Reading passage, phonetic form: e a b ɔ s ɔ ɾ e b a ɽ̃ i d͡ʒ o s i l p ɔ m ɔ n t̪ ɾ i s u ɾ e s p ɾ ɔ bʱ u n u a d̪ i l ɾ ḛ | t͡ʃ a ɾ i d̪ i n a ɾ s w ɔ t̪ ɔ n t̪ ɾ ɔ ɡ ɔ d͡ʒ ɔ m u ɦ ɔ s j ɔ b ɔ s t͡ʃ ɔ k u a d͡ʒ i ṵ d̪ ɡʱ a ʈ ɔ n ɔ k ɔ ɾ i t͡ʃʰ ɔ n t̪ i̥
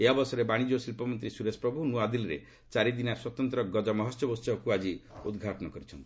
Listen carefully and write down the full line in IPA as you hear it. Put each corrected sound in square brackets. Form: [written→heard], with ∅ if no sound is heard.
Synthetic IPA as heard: e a b ɔ s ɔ ɾ e b a ɽ̃ i d͡ʒ o s i l p ɔ m ɔ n t̪ ɾ i s u ɾ e s p ɾ ɔ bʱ u n u a d̪ i l ɾ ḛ | t͡ʃ a ɾ i d̪ i n a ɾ s w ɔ t̪ ɔ n t̪ ɾ ɔ ɡ ɔ d͡ʒ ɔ m [u→ɔ] ɦ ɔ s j ɔ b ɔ s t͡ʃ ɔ k u a d͡ʒ i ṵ d̪ ɡʱ a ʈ ɔ n ɔ k ɔ ɾ i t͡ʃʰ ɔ n t̪ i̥

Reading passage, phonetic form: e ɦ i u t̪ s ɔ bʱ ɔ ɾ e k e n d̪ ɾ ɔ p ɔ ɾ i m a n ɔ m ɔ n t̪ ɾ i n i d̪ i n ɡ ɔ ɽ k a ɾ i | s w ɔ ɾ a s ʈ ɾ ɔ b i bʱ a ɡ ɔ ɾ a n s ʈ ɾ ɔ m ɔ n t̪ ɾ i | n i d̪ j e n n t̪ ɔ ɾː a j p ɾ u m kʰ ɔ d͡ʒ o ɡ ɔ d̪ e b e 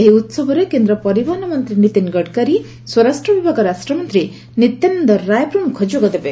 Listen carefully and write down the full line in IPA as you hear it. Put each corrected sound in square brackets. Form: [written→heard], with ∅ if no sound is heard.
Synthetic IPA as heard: e ɦ i u t̪ s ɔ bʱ ɔ ɾ e k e n d̪ ɾ ɔ p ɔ ɾ i [m→b] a n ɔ m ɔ n t̪ ɾ i n i [d̪→t̪] i n ɡ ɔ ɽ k a ɾ i | s w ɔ ɾ a s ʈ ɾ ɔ b i bʱ a ɡ ɔ ɾ a [n→∅] s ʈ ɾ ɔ m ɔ n t̪ ɾ i | n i [d̪→t̪] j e n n [t̪→d̪] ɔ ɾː a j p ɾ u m kʰ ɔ d͡ʒ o ɡ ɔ d̪ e b e

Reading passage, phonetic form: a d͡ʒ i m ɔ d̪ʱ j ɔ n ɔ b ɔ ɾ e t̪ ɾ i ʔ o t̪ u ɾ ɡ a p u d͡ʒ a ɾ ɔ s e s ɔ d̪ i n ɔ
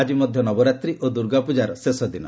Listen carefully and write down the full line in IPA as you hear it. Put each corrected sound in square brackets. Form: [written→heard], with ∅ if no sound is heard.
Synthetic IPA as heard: a d͡ʒ i m ɔ d̪ʱ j ɔ n ɔ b ɔ ɾ [e→a] t̪ ɾ i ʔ o [t̪→d̪] u ɾ ɡ a p u d͡ʒ a ɾ ɔ s e s ɔ d̪ i n ɔ

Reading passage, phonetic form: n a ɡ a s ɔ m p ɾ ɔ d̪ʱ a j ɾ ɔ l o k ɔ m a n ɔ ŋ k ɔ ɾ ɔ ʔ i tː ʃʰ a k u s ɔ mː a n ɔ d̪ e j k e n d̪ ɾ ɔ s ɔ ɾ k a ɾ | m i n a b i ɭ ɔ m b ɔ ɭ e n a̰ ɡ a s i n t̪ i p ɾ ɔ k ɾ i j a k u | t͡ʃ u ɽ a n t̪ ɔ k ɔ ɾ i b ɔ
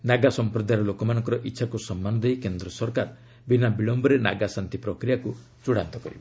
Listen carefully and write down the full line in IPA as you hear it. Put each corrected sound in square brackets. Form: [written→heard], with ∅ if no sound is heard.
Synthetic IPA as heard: n a ɡ a s ɔ m p ɾ ɔ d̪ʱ a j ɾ ɔ l o k ɔ m a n ɔ ŋ k ɔ ɾ ɔ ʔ i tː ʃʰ a k u s ɔ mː a n ɔ d̪ e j k e n d̪ ɾ ɔ s ɔ ɾ k a ɾ | [m→b] i n a b i ɭ ɔ m b ɔ [ɭ→ɾ] e n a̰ ɡ a s [i→a] n t̪ i p ɾ ɔ k ɾ i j a k u | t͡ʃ u ɽ a n t̪ ɔ k ɔ ɾ i b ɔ

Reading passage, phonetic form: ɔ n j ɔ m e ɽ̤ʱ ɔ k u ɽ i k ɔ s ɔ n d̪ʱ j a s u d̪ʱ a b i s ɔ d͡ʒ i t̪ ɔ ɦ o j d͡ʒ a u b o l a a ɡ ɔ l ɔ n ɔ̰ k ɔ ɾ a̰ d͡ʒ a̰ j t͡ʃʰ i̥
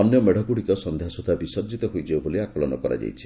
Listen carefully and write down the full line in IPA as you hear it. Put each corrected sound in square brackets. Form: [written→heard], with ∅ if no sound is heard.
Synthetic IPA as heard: ɔ n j ɔ m e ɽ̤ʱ ɔ k u ɽ i k ɔ s ɔ n d̪ʱ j a s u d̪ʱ a b i s ɔ d͡ʒ i t̪ ɔ ɦ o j d͡ʒ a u b o l [a→i] a [ɡ→k] ɔ l ɔ n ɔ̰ k ɔ ɾ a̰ d͡ʒ a̰ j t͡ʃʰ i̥

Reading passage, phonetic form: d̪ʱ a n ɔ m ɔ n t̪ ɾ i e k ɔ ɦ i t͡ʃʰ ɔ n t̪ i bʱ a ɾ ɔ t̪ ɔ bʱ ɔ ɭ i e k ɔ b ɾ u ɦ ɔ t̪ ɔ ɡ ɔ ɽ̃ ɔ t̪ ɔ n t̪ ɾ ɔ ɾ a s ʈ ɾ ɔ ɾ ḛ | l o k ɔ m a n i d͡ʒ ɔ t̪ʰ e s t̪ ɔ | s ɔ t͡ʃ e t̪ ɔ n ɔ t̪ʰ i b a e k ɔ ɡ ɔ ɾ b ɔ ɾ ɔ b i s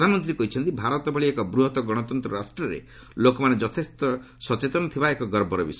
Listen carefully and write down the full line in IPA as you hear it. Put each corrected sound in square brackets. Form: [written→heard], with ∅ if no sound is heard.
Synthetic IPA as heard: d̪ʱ a n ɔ m ɔ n t̪ ɾ i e k ɔ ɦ i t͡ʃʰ ɔ n t̪ i bʱ a ɾ ɔ t̪ ɔ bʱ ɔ ɭ i e k ɔ b ɾ u ɦ ɔ t̪ ɔ ɡ ɔ ɽ̃ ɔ t̪ ɔ n t̪ ɾ ɔ ɾ a s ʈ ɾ ɔ ɾ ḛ | l o k ɔ m a n [i→e] d͡ʒ ɔ t̪ʰ e s t̪ ɔ | s ɔ t͡ʃ e t̪ ɔ n ɔ t̪ʰ i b a e k ɔ ɡ ɔ ɾ b ɔ ɾ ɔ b i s

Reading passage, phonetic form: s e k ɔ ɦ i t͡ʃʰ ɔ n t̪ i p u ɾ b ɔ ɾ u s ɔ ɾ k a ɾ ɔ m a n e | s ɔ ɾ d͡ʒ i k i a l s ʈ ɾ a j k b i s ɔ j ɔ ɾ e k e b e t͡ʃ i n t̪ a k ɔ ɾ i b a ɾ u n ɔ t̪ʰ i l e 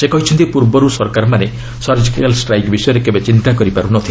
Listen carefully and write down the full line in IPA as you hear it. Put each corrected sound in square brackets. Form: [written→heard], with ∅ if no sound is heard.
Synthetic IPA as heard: s e k ɔ ɦ i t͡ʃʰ ɔ n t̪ i p u ɾ b ɔ ɾ u s ɔ ɾ k a ɾ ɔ m a n e | s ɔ ɾ d͡ʒ i k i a l s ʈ ɾ a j k b i s ɔ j ɔ ɾ e k e b e t͡ʃ i n t̪ a k ɔ ɾ i [b→p] a ɾ u n ɔ t̪ʰ i l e

